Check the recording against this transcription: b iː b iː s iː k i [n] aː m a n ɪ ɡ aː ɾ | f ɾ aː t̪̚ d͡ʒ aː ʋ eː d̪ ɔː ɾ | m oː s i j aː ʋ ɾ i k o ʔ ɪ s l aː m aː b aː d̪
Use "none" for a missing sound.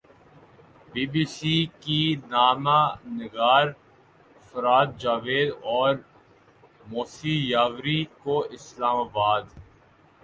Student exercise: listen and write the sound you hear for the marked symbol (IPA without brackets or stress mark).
n